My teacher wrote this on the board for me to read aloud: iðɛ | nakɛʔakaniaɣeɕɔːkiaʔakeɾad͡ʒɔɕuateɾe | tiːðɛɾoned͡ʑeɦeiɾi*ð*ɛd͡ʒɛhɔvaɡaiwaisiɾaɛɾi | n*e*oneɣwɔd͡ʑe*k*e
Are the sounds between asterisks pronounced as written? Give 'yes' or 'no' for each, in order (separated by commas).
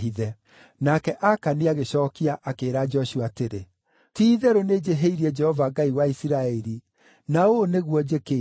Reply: no, no, yes